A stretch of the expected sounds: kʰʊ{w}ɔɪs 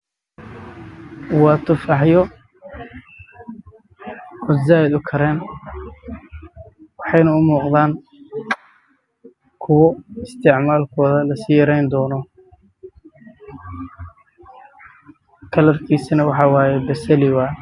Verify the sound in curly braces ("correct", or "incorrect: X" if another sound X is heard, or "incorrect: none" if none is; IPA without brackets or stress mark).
correct